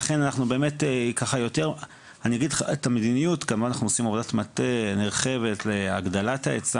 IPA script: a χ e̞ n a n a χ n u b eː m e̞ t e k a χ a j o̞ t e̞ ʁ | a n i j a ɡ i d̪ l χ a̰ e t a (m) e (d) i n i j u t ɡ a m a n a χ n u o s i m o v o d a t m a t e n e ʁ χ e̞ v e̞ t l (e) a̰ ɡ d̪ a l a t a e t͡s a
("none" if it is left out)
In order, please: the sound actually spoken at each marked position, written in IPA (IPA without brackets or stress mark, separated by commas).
m, d, e